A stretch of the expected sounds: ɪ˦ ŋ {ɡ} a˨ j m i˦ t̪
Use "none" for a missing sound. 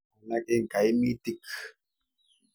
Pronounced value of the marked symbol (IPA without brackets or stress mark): k